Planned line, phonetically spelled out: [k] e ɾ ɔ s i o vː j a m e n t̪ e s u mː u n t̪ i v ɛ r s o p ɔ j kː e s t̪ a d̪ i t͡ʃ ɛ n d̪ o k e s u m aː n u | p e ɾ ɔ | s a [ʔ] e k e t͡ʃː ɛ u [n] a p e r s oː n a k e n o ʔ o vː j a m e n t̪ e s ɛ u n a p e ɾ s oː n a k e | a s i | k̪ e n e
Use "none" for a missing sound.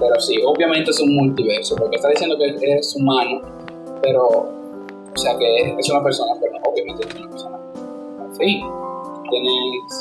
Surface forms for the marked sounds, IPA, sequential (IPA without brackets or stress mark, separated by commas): p, k, n